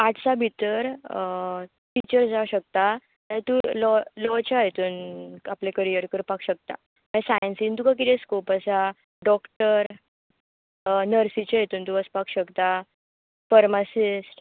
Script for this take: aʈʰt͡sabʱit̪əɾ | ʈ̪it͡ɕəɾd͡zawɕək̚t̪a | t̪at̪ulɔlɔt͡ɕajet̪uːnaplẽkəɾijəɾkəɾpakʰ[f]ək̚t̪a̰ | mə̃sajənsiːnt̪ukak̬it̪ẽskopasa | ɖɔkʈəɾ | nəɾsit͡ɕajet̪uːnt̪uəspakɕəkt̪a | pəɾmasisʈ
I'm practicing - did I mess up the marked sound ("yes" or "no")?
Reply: yes